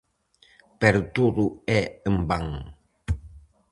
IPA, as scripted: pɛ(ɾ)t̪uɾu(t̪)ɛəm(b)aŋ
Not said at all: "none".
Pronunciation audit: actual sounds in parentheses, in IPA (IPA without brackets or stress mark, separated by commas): ɾ, none, b